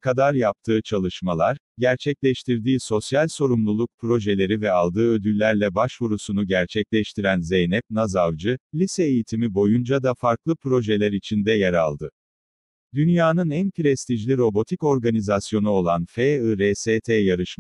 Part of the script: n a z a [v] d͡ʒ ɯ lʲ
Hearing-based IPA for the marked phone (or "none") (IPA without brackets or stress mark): v